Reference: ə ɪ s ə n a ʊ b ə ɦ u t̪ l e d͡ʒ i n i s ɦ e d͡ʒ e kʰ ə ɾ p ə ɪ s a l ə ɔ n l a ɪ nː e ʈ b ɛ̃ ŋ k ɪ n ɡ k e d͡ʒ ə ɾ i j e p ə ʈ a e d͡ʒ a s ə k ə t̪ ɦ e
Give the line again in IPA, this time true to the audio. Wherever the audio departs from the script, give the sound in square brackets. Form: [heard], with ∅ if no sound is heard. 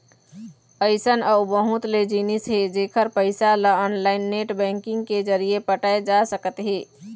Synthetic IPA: ə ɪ s ə n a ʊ b ə ɦ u t̪ l e d͡ʒ i n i s ɦ e d͡ʒ e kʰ ə ɾ p ə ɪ s a l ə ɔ n l a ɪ nː e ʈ b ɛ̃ ŋ k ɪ [ŋ] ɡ k e d͡ʒ ə ɾ i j e p ə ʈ a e d͡ʒ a s ə k ə t̪ ɦ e